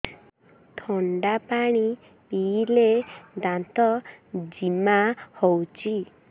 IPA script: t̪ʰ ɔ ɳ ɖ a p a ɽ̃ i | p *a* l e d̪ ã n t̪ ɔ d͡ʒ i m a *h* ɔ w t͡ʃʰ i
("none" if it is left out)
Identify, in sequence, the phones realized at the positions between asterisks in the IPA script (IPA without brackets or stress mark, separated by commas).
i, h